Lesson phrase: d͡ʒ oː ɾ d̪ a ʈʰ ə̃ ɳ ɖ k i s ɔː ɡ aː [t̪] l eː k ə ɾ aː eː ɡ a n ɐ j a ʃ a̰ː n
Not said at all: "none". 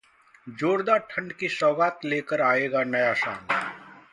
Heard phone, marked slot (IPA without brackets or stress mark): t̪